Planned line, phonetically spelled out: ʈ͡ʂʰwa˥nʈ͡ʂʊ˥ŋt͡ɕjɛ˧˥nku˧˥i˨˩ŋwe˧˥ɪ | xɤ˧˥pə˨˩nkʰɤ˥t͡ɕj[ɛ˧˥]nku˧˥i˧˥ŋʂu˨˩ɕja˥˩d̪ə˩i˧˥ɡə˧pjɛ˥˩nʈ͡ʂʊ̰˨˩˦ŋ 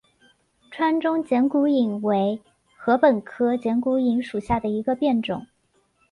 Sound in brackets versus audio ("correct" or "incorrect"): correct